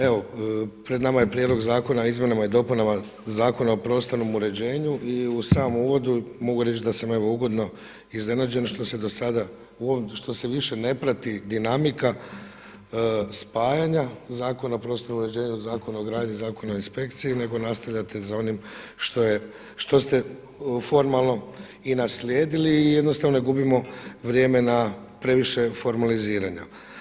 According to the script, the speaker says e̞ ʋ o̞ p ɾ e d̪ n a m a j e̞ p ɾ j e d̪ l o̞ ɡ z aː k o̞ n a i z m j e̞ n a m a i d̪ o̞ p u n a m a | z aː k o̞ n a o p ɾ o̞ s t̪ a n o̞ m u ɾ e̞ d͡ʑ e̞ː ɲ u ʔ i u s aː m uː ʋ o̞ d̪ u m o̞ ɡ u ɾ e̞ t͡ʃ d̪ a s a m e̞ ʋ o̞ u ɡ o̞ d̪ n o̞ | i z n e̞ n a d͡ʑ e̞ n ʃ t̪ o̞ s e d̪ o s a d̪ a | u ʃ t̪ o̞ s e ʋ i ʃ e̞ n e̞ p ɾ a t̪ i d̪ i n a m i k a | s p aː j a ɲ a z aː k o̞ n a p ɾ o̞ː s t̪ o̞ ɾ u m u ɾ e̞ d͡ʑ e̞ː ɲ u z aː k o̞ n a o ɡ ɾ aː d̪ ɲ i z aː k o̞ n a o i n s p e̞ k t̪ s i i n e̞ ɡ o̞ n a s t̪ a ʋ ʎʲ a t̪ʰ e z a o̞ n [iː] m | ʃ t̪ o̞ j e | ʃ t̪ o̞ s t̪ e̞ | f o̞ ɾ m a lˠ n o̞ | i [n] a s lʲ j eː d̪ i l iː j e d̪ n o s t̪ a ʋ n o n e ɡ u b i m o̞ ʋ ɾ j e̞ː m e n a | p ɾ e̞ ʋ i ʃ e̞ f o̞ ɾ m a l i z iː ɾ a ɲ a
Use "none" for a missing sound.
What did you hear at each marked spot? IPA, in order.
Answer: i, n

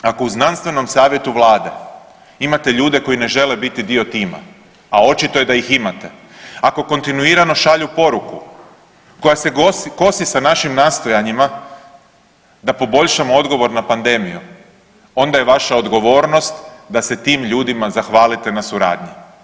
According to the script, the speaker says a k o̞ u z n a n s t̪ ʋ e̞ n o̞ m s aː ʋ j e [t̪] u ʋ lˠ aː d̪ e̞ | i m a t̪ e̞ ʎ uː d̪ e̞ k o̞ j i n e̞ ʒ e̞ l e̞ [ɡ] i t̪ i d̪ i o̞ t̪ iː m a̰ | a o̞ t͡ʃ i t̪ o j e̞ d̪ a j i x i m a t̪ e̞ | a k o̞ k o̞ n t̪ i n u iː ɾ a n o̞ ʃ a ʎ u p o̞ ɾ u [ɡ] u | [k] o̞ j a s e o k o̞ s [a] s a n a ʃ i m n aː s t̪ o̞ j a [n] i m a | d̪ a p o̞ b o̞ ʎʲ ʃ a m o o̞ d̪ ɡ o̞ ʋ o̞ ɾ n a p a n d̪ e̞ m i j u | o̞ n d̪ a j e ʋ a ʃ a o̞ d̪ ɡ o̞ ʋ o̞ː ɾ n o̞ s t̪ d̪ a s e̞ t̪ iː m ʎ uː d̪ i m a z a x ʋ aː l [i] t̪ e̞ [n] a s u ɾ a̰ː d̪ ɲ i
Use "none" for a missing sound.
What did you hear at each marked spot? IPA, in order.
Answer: t̪, b, k, k, i, ɲ, i, n

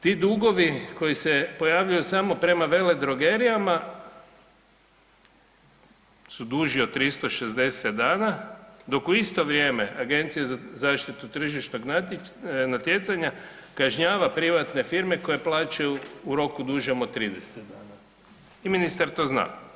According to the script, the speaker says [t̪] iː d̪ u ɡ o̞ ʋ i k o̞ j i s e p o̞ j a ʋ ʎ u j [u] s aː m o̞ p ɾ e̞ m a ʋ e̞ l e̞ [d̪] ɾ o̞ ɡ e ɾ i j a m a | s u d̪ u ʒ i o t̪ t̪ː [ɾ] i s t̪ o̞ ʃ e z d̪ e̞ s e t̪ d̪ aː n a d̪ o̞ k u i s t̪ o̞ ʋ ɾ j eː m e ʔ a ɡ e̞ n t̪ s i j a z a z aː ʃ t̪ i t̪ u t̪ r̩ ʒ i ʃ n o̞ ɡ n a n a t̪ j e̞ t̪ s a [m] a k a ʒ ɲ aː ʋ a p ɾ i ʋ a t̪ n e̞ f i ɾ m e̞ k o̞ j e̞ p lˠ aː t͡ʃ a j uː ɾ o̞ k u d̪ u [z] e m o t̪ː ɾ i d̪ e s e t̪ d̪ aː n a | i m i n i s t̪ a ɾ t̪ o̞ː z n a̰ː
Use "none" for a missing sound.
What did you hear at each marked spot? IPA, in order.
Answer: t̪, u, d̪, ɾ, ɲ, ʒ

